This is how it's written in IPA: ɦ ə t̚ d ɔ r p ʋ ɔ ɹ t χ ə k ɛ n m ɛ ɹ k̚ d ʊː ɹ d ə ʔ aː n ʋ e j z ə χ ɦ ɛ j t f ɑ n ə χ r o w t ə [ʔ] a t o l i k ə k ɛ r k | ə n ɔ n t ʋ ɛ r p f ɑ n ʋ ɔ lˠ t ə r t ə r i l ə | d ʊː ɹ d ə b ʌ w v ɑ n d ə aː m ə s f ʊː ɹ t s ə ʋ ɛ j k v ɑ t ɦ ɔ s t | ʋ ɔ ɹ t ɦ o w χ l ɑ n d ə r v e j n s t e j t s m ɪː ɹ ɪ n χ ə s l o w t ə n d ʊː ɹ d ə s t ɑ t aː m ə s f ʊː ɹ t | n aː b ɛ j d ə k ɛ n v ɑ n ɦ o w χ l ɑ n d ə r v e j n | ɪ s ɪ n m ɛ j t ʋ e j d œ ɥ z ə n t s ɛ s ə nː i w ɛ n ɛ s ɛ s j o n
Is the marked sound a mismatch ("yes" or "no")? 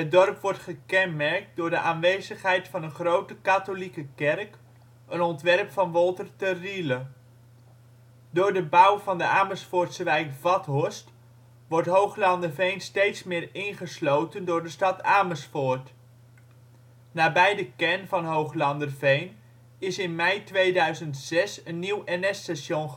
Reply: yes